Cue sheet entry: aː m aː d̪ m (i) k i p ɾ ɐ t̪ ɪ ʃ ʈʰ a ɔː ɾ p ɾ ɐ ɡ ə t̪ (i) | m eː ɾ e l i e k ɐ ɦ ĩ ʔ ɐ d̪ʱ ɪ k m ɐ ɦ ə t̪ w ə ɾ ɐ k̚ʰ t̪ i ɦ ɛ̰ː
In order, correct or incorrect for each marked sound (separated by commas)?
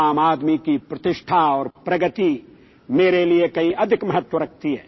correct, correct